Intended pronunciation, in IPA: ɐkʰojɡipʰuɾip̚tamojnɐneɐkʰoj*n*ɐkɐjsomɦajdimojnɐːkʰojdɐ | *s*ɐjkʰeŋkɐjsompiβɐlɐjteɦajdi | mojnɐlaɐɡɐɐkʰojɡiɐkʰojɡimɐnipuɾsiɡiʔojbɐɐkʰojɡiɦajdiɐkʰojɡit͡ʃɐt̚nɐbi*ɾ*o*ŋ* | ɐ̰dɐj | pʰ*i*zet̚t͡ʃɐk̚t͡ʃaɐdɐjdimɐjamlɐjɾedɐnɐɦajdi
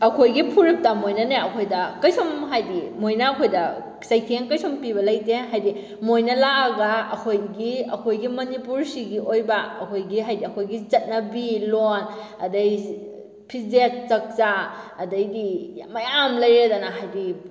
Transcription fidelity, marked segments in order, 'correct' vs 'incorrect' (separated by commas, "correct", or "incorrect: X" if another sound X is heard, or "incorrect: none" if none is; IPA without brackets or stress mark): incorrect: d, correct, incorrect: l, incorrect: n, correct